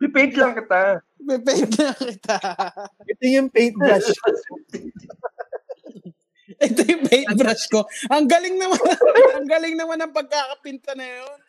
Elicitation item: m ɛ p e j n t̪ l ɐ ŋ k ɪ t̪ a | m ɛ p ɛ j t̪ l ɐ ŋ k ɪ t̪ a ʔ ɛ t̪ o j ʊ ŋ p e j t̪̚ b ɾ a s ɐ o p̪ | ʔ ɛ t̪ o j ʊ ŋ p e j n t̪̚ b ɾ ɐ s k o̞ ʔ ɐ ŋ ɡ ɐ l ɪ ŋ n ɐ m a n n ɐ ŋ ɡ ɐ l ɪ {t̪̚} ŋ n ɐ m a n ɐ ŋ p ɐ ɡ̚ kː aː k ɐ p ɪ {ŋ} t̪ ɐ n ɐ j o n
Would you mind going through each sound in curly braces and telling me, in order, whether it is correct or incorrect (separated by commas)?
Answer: incorrect, incorrect